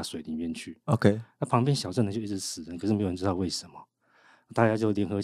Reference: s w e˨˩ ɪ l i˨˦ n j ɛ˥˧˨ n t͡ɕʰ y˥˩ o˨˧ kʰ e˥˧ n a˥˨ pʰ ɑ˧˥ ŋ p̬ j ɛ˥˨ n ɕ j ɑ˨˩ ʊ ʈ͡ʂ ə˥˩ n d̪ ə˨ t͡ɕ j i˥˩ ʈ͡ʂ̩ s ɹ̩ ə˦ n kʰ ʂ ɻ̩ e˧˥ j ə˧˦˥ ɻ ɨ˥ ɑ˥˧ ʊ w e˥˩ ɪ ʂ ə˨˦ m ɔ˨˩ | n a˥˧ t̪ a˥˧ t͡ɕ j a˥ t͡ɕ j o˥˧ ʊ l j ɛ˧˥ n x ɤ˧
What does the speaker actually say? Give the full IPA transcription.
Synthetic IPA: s w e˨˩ ɪ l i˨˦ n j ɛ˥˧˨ n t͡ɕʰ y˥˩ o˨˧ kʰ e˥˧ n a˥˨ pʰ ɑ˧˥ ŋ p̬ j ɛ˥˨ n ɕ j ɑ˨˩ ʊ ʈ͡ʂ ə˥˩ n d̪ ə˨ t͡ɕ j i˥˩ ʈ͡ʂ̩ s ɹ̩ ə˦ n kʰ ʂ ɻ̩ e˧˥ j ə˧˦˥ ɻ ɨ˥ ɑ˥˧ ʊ w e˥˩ ɪ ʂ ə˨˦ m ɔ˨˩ | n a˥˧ t̪ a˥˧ t͡ɕ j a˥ t͡ɕ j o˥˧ ʊ l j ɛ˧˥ n x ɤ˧